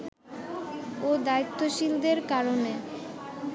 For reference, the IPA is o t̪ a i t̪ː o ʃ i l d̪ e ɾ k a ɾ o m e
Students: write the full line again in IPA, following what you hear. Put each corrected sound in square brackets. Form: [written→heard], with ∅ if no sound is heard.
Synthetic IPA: o [t̪→d̪] a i t̪ː o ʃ i l d̪ e ɾ k a ɾ o [m→n] e